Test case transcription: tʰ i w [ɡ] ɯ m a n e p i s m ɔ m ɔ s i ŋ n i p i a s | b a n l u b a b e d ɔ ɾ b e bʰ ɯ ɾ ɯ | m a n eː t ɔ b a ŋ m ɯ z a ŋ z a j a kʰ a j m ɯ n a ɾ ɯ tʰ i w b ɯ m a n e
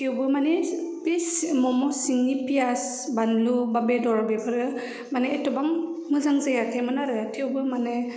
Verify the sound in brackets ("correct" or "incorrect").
incorrect